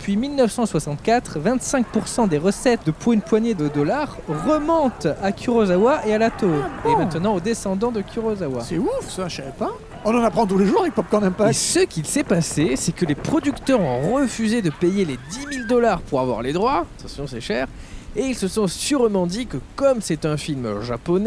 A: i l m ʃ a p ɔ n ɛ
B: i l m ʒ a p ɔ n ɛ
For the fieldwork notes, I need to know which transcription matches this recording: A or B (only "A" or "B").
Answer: B